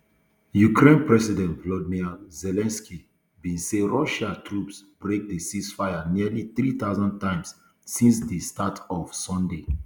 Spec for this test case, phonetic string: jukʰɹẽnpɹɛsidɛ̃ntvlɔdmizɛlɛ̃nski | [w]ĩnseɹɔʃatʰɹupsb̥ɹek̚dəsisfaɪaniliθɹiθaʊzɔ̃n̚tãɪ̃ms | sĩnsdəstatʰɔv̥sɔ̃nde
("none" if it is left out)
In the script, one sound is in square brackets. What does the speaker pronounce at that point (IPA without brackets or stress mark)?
b